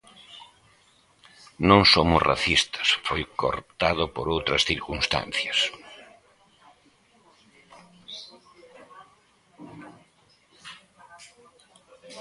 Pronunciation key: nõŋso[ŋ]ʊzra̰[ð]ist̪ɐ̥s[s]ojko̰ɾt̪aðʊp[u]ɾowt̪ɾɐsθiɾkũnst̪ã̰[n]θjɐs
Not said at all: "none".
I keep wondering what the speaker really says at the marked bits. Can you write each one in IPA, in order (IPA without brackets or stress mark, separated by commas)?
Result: m, θ, f, o, n